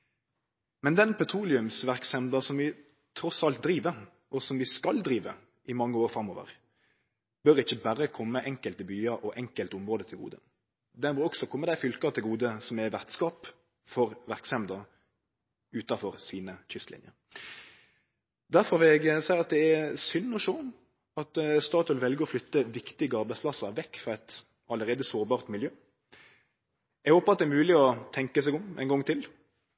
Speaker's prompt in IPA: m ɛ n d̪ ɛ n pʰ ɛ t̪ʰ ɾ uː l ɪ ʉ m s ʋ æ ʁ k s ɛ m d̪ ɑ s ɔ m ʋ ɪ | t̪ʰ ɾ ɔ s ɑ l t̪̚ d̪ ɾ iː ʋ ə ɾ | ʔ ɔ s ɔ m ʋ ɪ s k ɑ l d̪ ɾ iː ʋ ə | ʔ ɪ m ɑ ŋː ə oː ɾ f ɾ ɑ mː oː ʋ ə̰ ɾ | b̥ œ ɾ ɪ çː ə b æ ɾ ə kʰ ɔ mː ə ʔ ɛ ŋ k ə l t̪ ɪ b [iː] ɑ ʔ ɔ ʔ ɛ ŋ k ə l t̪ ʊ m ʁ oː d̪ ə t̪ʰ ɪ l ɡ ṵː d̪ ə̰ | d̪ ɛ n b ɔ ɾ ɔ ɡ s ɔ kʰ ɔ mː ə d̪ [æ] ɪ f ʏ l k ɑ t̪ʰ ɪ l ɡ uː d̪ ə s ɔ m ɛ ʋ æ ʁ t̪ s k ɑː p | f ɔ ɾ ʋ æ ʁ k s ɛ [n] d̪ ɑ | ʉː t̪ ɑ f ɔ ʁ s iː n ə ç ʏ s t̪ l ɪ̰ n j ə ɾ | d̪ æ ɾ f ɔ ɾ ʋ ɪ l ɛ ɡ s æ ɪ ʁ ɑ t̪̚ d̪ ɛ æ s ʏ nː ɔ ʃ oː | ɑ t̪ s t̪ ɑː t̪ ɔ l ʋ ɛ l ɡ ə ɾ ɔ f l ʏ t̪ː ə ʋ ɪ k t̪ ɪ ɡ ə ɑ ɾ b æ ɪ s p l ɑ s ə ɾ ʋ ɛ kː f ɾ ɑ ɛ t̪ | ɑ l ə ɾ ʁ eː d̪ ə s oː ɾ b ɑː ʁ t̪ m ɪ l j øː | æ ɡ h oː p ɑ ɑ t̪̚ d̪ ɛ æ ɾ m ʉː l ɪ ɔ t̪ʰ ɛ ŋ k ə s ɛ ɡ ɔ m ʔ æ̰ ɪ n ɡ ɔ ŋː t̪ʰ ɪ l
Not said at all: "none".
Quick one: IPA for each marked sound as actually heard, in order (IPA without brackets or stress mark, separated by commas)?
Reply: yː, æ, m